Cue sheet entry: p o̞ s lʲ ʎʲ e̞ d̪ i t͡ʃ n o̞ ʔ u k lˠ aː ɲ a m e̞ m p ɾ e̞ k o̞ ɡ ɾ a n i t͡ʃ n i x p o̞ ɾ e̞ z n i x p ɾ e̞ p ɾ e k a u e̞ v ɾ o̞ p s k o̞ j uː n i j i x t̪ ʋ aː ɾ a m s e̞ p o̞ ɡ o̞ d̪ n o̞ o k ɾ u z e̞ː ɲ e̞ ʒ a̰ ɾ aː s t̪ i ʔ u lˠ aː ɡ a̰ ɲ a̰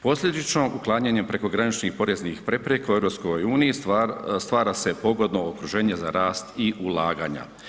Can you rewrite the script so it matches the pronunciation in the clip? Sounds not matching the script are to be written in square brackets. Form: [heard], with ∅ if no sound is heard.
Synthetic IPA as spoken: p o̞ s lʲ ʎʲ e̞ d̪ i t͡ʃ n o̞ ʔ u k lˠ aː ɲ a [ɲ] e̞ m p ɾ e̞ k o̞ ɡ ɾ a n i t͡ʃ n i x p o̞ ɾ e̞ z n i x p ɾ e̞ p ɾ e k a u e̞ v ɾ o̞ p s k o̞ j uː n i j i [s] t̪ ʋ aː ɾ a [∅] s e̞ p o̞ ɡ o̞ d̪ n o̞ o k ɾ u [ʒ] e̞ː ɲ e̞ [z] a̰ ɾ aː s t̪ i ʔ u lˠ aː ɡ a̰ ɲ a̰